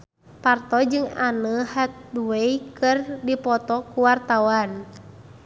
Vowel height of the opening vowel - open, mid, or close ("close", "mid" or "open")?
open